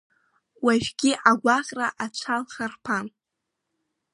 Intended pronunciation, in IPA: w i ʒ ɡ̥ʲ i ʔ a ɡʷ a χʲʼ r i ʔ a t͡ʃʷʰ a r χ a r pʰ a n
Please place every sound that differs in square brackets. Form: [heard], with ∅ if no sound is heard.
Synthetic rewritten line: w [a] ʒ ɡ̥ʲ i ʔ a ɡʷ a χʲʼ r [a] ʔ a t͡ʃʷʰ a [l] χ a r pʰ a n

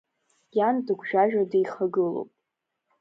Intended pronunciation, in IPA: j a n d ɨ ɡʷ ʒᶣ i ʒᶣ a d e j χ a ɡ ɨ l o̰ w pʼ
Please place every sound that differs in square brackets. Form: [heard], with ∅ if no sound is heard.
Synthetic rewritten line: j a n d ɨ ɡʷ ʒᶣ [a] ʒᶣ a d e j χ a ɡ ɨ l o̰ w pʼ

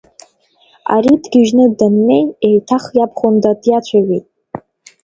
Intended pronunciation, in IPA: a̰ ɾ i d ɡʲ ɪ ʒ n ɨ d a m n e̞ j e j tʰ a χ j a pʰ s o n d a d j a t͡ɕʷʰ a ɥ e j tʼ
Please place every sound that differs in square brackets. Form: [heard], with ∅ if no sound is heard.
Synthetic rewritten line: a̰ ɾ i d ɡʲ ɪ ʒ n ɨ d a m n e̞ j e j tʰ a χ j a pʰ [χ] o n d a d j a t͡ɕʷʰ a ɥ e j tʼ

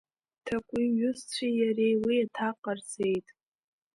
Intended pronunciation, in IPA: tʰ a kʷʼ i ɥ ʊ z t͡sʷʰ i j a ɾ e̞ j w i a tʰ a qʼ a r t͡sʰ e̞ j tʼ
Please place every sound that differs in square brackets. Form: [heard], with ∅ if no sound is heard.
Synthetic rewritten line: tʰ a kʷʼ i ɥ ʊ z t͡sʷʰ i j a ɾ e̞ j w i a tʰ a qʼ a r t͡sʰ e̞ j tʼ

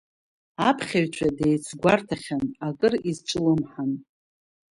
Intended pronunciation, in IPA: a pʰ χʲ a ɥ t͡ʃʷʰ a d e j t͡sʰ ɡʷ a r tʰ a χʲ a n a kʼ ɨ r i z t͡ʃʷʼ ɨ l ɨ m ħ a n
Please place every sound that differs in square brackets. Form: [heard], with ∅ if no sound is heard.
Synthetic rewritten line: a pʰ χʲ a ɥ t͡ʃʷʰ a d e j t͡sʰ ɡʷ a r tʰ a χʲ a n a kʼ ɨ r i z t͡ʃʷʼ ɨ l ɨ m ħ a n

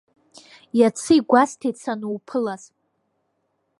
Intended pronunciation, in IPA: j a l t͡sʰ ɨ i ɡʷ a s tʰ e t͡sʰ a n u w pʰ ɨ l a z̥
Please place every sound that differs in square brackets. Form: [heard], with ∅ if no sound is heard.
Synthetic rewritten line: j a [∅] t͡sʰ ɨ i ɡʷ a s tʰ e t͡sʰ a n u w pʰ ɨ l a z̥

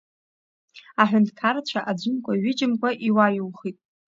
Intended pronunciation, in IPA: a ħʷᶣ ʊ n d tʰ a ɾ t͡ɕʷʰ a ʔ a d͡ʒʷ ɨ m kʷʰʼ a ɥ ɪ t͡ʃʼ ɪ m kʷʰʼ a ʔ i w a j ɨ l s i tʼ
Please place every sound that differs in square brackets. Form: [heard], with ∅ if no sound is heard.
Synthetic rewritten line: a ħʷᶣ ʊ n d [kʰ] a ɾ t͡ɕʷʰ a ʔ a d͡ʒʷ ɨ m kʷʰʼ a ɥ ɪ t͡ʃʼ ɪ m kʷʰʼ a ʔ i w a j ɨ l [χ] i tʼ

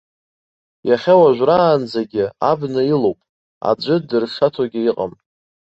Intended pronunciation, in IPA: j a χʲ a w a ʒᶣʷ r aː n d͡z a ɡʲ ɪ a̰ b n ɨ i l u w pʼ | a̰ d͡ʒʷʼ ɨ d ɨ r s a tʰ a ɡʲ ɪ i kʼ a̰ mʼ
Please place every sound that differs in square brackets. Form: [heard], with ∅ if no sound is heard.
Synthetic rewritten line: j a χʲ a w a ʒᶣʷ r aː n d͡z a ɡʲ ɪ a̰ b n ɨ i l [o] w pʼ | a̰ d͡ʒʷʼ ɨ d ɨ r [ʂ] a tʰ a ɡʲ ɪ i [qʼ] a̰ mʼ

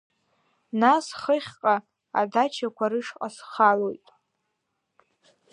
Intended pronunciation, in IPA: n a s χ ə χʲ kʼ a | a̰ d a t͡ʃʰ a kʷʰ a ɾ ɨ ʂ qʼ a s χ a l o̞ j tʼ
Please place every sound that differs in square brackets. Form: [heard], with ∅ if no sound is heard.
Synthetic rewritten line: n a s χ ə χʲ [qʼ] a | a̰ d a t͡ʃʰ a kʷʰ a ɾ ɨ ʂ qʼ a s χ a l o̞ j tʼ

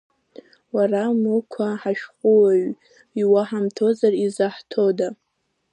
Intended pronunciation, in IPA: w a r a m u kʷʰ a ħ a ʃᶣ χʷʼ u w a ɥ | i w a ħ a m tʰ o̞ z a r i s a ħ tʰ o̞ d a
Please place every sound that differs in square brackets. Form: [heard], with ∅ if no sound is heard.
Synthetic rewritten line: w a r a m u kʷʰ a ħ a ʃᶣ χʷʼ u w a ɥ | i w a ħ a m tʰ o̞ z a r i [z] a ħ tʰ o̞ d a

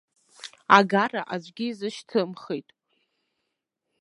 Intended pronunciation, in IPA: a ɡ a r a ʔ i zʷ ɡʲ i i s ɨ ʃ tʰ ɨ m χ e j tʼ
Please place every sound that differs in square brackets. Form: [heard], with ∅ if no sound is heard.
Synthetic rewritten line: a ɡ a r a ʔ [a] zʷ ɡʲ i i [z] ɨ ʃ tʰ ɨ m χ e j tʼ

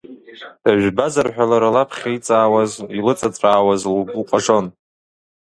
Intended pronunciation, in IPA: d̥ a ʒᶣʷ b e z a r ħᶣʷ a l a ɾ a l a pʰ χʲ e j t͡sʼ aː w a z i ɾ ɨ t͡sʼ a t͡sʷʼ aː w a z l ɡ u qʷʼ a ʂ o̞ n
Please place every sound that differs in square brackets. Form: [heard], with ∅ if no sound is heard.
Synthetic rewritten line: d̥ a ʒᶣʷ b [a] z a r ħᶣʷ a l a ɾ a l a pʰ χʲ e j t͡sʼ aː w a z i [l] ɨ t͡sʼ a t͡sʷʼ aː w a z l ɡ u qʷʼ a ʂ o̞ n

